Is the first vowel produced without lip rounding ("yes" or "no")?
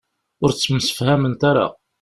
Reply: no